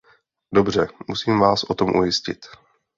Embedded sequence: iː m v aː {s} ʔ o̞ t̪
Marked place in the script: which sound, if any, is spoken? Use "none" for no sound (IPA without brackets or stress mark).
s